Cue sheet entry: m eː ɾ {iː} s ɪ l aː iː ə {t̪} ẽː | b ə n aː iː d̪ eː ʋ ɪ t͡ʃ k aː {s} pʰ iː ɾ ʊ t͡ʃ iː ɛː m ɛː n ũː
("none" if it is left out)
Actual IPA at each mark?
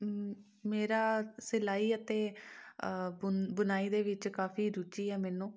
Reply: aː, t̪, none

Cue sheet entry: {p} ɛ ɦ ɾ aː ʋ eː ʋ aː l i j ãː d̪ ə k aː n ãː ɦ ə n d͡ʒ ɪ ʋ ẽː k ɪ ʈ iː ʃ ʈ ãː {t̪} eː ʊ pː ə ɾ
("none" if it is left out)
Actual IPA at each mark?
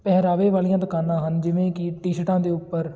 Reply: p, d̪

